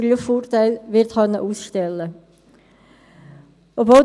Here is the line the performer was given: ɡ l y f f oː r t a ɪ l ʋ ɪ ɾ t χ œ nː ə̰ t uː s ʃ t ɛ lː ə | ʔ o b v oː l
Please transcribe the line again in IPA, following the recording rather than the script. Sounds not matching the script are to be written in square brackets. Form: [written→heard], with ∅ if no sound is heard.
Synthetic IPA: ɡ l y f f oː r t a ɪ l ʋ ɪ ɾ t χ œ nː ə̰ [t→ʔ] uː s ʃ t ɛ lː ə | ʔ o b v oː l